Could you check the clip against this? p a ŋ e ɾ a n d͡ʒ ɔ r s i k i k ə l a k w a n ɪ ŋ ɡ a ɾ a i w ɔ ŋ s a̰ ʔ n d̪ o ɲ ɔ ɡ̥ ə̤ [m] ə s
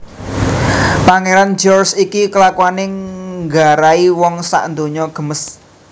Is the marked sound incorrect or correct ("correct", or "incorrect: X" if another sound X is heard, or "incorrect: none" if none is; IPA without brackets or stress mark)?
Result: correct